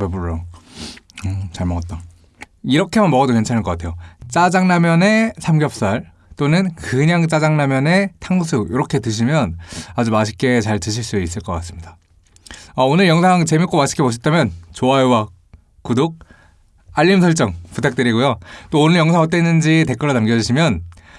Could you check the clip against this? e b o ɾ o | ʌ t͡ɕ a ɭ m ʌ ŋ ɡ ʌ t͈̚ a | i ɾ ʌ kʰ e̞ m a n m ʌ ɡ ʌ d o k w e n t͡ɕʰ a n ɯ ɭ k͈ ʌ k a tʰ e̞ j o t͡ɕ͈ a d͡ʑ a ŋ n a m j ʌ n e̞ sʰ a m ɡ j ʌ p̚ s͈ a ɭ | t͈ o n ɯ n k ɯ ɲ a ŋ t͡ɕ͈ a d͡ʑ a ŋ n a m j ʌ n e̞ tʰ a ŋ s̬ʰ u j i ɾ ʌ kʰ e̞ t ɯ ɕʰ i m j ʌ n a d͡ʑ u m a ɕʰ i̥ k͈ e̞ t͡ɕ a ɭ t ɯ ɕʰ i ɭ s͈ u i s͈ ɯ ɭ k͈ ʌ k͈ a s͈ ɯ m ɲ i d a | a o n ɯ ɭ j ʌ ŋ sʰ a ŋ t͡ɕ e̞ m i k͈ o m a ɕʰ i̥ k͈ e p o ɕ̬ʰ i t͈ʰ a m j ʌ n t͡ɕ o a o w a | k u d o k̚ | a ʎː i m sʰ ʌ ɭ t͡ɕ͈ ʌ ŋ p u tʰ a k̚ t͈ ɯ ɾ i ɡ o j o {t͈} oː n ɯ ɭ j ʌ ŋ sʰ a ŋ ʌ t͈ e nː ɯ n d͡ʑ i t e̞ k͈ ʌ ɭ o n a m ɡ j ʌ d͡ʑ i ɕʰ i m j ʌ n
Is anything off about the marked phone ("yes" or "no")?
no